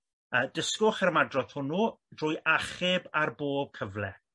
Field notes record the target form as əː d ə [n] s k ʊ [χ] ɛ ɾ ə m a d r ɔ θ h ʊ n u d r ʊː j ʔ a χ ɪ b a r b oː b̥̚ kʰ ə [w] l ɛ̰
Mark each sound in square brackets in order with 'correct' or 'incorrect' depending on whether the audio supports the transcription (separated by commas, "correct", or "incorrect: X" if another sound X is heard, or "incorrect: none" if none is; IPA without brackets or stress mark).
incorrect: none, correct, incorrect: v